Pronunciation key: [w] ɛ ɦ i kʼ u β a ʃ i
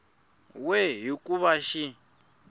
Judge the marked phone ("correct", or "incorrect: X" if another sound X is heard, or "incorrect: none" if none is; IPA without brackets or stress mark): correct